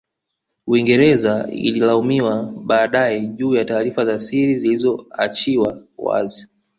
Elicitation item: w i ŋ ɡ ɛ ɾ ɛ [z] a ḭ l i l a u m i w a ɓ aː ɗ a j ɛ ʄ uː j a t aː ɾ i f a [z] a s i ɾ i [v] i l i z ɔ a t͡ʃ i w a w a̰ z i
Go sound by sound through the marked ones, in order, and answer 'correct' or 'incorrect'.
correct, correct, incorrect: z

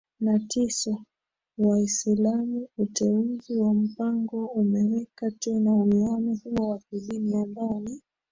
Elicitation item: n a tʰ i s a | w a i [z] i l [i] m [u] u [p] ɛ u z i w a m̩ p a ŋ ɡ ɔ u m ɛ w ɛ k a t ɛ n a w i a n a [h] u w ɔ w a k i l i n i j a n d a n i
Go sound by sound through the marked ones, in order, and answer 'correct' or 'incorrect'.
incorrect: s, incorrect: a, correct, incorrect: t, correct

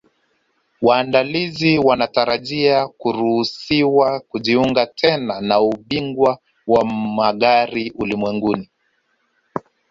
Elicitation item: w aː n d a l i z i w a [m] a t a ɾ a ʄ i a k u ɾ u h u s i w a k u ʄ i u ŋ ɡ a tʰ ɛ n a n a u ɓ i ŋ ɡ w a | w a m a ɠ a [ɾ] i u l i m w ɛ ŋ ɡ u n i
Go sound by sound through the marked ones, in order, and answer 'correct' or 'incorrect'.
incorrect: n, correct

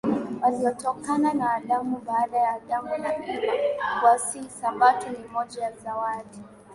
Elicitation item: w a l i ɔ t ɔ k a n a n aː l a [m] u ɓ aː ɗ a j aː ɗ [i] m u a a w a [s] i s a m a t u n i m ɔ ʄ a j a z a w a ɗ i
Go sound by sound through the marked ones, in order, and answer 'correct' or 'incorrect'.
correct, incorrect: a, correct

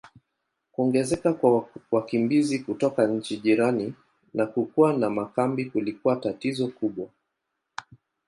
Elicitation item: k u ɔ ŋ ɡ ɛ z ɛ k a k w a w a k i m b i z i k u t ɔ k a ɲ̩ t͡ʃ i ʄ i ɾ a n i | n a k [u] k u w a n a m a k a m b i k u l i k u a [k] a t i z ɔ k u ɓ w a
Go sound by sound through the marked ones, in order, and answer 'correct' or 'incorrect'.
correct, incorrect: t

